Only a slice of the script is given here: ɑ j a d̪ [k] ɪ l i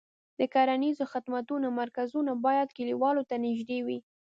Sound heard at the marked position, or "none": k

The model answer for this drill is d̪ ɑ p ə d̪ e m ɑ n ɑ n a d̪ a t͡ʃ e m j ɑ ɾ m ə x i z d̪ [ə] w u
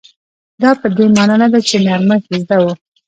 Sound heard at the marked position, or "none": a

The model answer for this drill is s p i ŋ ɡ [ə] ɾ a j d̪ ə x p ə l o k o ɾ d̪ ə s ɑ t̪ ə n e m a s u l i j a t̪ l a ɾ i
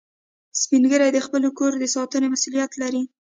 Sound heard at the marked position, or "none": ə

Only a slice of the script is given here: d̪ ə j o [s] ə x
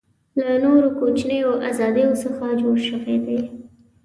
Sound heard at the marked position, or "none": s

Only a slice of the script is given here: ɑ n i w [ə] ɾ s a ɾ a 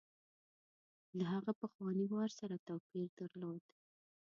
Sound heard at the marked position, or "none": ɑ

